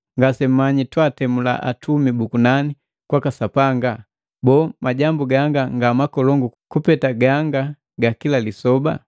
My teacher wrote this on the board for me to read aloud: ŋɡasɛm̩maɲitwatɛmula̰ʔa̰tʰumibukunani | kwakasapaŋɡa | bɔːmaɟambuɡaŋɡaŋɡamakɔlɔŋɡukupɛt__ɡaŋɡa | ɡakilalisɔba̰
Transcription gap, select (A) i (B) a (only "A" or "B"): B